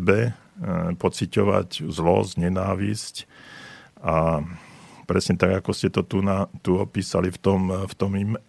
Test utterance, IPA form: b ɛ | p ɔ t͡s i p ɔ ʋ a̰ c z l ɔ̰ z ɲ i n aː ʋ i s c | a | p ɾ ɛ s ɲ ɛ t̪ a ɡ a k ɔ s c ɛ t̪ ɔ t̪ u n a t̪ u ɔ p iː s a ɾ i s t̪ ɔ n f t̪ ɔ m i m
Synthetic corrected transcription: b ɛ | p ɔ t͡s i c ɔ ʋ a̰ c z l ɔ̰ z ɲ ɛ n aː ʋ i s c | a | p ɾ ɛ s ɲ ɛ t̪ a ɡ a k ɔ s c ɛ t̪ ɔ t̪ u n a t̪ u ɔ p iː s a l i f t̪ ɔ m f t̪ ɔ m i m